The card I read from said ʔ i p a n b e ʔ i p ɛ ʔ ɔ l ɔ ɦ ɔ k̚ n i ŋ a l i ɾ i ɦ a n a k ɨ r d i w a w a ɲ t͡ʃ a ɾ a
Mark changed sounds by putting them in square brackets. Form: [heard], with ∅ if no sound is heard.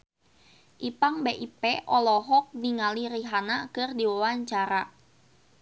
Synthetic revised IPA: ʔ i p a [ŋ] b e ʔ i p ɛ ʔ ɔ l ɔ ɦ ɔ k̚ n i ŋ a l i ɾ i ɦ a n a k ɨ r d i w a w a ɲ t͡ʃ a ɾ a